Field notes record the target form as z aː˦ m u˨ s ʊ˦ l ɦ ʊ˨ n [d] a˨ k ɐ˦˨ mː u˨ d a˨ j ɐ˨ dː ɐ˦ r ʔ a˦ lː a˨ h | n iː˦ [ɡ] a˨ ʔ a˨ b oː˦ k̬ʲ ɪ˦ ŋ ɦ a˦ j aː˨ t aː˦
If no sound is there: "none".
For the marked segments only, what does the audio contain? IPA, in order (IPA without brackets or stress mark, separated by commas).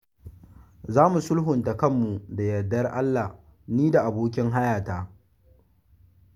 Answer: t, d